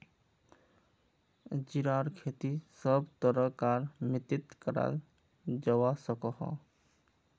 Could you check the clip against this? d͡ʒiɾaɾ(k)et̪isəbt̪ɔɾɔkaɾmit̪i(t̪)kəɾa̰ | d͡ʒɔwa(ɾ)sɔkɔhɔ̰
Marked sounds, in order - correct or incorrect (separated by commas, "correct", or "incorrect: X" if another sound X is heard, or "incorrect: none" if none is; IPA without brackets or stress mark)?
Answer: incorrect: kʰ, correct, incorrect: none